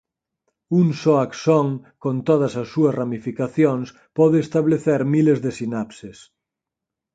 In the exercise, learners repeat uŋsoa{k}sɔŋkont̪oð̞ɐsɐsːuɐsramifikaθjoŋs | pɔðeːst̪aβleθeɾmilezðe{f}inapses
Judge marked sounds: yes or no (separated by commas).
yes, no